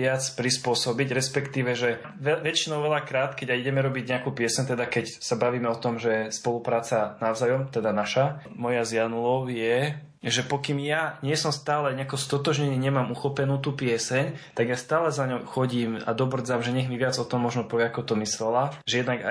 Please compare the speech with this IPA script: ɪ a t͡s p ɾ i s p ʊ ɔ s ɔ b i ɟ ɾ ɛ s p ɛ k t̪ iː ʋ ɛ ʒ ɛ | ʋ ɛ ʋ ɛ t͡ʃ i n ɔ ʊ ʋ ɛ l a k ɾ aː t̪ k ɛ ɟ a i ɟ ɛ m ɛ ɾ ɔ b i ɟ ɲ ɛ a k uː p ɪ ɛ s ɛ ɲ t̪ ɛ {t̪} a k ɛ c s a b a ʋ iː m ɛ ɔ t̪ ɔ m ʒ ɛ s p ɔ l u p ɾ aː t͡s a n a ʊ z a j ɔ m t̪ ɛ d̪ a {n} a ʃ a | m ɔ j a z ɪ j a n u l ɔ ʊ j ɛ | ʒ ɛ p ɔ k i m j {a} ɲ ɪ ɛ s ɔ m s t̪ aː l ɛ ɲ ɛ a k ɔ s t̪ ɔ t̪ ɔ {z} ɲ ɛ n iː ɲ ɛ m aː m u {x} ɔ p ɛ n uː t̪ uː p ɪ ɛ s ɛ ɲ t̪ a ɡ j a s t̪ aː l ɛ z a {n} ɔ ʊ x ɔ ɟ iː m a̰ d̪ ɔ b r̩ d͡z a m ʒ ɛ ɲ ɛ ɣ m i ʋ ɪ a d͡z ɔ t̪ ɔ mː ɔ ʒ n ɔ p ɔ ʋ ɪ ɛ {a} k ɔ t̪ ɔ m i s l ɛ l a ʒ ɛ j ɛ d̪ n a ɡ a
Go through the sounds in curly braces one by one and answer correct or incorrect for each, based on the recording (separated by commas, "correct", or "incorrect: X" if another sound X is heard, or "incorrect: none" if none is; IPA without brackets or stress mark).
incorrect: d̪, correct, correct, incorrect: ʒ, correct, incorrect: ɲ, correct